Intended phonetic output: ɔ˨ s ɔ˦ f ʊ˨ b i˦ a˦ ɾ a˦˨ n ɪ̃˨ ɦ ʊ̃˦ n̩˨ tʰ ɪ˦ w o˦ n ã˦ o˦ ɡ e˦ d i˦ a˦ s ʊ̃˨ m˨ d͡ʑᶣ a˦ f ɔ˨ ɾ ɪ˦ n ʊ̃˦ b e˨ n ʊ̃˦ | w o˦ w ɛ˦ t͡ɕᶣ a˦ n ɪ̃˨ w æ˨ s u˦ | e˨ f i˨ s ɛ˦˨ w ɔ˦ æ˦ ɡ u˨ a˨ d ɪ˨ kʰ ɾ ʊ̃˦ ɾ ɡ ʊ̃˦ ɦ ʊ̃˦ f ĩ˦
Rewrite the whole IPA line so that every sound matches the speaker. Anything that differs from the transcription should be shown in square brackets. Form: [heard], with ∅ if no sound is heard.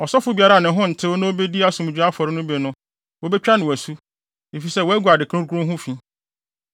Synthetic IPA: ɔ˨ s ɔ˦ f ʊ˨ b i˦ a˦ ɾ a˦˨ n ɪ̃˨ ɦ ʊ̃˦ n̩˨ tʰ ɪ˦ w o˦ n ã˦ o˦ [b] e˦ d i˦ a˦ s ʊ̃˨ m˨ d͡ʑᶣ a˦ f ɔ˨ ɾ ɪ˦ n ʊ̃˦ b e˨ n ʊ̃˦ | w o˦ [b] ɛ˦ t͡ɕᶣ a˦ n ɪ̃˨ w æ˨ s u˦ | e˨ f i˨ s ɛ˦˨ w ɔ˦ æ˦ ɡ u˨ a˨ d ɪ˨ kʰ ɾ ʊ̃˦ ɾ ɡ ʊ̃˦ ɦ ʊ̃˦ f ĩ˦